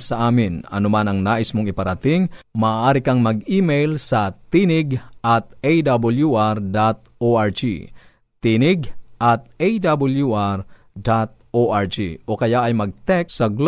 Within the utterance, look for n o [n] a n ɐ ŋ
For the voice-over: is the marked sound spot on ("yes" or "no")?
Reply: no